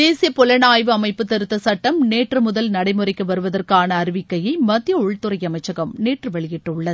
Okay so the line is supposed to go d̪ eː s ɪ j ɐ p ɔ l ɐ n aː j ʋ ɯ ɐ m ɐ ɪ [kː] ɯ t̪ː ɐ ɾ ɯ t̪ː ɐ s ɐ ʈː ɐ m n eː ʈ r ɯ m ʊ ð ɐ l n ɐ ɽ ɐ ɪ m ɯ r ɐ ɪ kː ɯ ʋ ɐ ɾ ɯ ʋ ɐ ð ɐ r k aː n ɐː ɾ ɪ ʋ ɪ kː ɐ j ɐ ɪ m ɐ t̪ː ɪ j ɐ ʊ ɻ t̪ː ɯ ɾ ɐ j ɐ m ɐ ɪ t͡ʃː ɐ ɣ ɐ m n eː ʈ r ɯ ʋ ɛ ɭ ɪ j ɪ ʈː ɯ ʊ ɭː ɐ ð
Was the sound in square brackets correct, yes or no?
no